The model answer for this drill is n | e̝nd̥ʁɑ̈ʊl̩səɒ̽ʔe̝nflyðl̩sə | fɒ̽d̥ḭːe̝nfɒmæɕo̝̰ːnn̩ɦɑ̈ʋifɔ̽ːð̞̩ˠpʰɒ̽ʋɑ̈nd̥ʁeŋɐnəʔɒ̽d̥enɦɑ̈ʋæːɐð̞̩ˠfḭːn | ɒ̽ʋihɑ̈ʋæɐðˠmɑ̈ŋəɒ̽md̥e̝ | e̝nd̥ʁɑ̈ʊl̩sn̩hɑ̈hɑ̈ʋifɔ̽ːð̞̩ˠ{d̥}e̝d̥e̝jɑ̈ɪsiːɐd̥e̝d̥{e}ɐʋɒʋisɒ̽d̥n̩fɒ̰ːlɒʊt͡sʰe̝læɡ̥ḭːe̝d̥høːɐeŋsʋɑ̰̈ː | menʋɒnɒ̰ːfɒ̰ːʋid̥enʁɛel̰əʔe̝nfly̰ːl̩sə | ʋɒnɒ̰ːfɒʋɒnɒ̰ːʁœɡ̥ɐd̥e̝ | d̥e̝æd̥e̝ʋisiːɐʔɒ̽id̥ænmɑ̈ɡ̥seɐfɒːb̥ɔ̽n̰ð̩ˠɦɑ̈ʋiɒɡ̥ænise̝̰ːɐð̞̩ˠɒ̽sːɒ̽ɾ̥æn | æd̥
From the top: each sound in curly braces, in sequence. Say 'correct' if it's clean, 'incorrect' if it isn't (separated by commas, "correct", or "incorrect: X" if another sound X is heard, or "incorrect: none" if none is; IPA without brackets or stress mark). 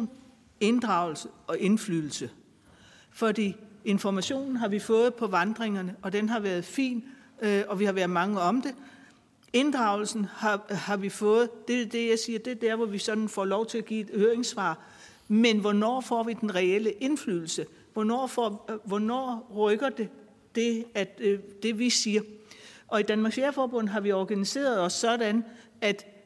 correct, incorrect: æ